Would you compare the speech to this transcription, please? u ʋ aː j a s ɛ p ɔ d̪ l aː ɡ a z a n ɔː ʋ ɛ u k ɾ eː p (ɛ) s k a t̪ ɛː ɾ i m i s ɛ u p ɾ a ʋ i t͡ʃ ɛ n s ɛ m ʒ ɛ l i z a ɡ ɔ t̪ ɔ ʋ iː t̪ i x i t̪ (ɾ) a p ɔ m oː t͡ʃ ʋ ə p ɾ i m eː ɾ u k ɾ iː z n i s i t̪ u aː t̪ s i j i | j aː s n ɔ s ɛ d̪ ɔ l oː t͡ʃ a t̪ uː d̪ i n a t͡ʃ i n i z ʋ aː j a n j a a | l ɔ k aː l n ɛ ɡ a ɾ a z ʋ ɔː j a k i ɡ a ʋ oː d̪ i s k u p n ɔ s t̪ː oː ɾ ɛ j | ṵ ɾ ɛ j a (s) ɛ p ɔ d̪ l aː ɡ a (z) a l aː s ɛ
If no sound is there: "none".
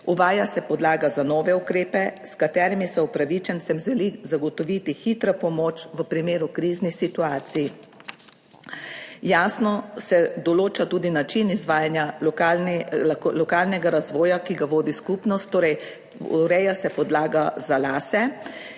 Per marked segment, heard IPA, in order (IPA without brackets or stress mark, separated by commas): ɛ, ɾ, s, z